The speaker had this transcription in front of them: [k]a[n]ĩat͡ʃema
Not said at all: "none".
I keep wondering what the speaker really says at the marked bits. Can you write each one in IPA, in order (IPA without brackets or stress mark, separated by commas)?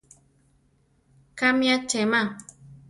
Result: k, m